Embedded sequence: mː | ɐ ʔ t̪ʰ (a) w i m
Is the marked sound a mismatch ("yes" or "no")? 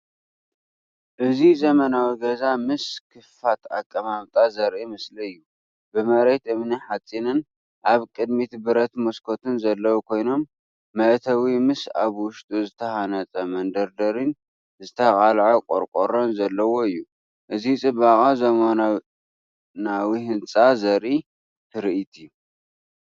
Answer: yes